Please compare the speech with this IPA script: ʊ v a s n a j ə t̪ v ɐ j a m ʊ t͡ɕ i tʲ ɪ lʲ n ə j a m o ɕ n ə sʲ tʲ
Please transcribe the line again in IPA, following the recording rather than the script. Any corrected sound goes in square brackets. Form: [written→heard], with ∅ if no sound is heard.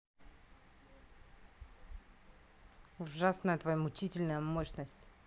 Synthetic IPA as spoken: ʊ [v→ʐ] a s n [a→ə] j ə t̪ v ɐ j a m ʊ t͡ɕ i tʲ ɪ lʲ n ə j [a→ə] m o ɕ n ə sʲ tʲ